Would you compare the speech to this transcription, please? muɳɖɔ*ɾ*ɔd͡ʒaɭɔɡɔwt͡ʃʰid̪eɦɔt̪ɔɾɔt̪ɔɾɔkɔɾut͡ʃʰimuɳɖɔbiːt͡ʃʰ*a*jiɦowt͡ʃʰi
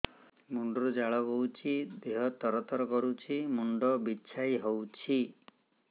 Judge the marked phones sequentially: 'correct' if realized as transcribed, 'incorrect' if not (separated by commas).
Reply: correct, correct